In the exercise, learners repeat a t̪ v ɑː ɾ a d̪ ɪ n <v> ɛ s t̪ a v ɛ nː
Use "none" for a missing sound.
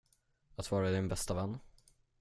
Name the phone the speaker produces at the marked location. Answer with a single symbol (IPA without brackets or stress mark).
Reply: b